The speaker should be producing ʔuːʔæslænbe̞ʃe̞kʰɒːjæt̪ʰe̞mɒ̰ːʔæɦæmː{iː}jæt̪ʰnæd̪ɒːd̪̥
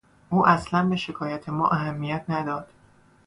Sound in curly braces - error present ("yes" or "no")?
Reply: yes